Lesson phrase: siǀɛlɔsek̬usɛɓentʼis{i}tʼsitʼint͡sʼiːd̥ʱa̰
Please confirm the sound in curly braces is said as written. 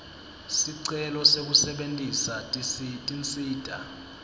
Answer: no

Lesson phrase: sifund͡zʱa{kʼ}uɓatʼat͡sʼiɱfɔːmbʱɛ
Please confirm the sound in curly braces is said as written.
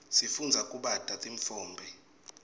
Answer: yes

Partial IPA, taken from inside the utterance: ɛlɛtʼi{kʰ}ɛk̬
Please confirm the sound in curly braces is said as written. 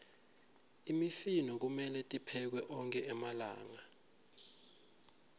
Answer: no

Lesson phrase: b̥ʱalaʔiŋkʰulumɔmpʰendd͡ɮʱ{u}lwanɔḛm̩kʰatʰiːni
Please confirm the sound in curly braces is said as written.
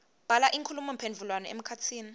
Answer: yes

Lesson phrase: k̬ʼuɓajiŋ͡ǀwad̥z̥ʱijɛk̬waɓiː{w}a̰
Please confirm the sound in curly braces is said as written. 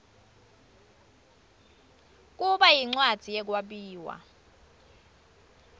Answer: yes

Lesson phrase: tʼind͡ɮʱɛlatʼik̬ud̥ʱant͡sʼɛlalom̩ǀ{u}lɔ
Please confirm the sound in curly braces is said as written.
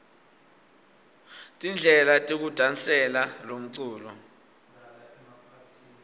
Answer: no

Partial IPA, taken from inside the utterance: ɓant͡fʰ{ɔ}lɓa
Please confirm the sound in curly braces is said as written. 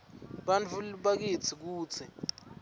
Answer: no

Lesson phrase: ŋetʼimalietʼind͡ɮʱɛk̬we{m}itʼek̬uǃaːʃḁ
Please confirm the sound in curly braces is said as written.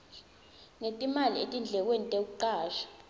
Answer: no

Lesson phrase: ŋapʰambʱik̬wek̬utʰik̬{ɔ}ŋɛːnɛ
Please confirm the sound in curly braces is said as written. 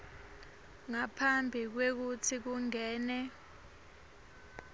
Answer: no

